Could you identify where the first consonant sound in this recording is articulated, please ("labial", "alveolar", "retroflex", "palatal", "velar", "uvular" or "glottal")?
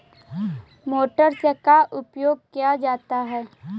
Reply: labial